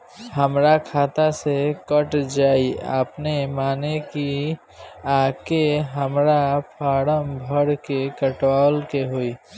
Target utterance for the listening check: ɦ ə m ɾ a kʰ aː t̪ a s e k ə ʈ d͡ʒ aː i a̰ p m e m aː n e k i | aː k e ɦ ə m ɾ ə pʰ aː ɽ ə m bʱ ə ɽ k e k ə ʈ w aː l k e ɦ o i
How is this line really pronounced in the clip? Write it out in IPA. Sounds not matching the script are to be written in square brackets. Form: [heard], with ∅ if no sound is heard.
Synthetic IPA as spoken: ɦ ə m ɾ a kʰ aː t̪ a s e k ə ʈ d͡ʒ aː i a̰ p [n] e m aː n e k i | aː k e ɦ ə m ɾ [a] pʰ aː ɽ ə m bʱ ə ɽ k e k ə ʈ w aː l k e ɦ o i